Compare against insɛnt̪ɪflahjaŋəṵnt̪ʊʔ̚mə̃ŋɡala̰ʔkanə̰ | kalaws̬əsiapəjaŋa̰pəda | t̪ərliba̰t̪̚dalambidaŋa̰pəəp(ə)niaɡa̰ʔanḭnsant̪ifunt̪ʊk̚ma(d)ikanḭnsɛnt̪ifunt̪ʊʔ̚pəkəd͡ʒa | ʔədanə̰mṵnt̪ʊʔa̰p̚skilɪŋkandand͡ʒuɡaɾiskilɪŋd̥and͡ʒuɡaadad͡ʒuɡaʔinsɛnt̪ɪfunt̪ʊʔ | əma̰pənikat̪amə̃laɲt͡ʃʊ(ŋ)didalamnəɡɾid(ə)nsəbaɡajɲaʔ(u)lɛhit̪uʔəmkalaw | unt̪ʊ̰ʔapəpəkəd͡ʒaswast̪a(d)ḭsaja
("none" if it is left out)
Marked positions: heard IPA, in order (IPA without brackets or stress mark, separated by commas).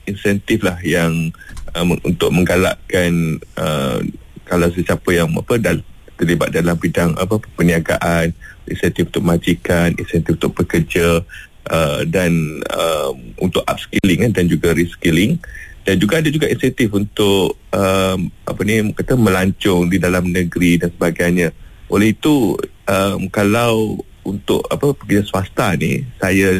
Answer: ə, d͡ʒ, ŋ, a, o, n